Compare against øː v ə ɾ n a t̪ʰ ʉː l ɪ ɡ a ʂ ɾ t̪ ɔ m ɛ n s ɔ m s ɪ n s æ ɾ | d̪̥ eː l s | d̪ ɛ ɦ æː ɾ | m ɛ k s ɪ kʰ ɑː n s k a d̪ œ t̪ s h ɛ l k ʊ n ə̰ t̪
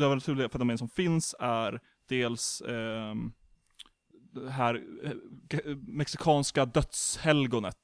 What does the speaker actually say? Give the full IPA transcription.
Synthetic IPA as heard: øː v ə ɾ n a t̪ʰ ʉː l ɪ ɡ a f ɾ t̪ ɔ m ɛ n s ɔ m f ɪ n s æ ɾ | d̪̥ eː l s | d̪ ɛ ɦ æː ɾ | m ɛ k s ɪ kʰ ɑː n s k a d̪ œ t̪ s h ɛ l ɡ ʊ n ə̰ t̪